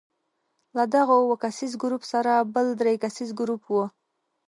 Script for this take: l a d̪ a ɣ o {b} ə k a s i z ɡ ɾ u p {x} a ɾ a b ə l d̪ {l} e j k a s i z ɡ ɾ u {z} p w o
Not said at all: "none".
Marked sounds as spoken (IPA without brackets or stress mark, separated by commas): w, s, ɾ, none